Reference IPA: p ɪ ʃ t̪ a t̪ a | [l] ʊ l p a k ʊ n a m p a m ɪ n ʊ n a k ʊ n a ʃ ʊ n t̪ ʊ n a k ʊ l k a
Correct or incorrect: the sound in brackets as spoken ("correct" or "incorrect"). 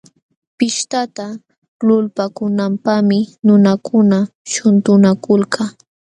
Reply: correct